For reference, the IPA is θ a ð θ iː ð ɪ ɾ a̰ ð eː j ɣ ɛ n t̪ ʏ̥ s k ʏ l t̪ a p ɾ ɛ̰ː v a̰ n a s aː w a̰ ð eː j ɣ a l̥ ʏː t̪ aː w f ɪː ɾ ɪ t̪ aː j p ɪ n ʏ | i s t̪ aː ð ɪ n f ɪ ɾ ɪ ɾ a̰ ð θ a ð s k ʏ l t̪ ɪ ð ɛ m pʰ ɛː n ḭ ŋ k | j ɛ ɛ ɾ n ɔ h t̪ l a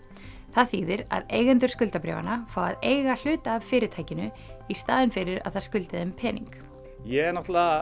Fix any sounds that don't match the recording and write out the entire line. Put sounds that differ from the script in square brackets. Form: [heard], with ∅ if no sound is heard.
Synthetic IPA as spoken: θ a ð θ iː ð ɪ ɾ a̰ ð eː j ɣ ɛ n t̪ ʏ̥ s k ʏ l t̪ a p ɾ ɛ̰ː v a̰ n a [f] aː w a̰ ð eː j ɣ a l̥ ʏː t̪ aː [v] f ɪː ɾ ɪ [t̪ʰ] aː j [c] ɪ n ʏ | i s t̪ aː ð ɪ n f ɪ ɾ ɪ ɾ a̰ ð θ a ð s k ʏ l t̪ ɪ ð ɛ m pʰ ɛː n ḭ ŋ k | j ɛ ɛ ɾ n ɔ h t̪ l a